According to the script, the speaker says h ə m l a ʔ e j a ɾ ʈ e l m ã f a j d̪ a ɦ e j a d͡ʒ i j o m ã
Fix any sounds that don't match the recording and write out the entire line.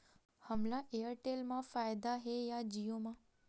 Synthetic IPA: h ə m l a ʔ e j ə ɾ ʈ e l m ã f a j d̪ a ɦ e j a d͡ʒ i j o m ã